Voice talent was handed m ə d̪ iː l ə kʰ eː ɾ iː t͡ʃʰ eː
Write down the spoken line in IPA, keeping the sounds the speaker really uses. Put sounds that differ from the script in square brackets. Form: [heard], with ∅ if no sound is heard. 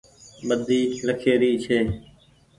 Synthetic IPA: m ə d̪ iː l ə kʰ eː ɾ iː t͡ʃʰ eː